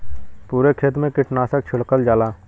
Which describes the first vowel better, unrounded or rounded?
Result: rounded